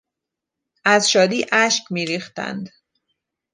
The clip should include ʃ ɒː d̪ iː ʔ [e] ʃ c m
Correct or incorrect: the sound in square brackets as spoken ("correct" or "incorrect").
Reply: incorrect